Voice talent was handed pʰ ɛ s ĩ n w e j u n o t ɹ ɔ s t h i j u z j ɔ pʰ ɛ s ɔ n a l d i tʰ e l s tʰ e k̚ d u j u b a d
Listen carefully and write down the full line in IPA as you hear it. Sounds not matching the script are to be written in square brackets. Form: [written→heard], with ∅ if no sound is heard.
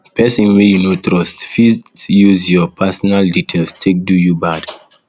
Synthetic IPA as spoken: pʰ ɛ s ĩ n w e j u n o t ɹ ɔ s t [h→f] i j u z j ɔ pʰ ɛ s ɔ n a l d i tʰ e l s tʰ e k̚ d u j u b a d